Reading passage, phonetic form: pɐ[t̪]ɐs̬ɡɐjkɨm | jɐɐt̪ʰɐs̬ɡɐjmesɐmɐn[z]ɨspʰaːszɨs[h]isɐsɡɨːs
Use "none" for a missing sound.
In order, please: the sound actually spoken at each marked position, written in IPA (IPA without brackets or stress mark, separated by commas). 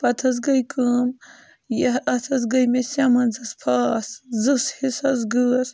t̪ʰ, z, h